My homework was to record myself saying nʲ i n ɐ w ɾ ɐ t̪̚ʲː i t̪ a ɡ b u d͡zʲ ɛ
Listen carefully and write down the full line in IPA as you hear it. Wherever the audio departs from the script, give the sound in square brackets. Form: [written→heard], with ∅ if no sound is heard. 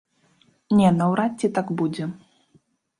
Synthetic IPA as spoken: nʲ [i→ɛ] n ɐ w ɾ [ɐ→a] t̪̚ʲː i t̪ a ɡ b u d͡zʲ ɛ